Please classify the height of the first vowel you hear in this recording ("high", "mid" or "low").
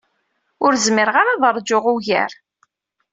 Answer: high